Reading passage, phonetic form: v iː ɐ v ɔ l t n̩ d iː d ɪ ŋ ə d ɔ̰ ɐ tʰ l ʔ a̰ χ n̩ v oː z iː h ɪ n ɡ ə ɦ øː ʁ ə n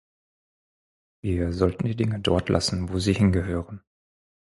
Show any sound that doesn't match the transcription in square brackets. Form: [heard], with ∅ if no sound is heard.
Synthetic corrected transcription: v iː ɐ [z] ɔ l t n̩ d iː d ɪ ŋ ə d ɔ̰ ɐ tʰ l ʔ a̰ [s] n̩ v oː z iː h ɪ n ɡ ə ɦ øː ʁ ə n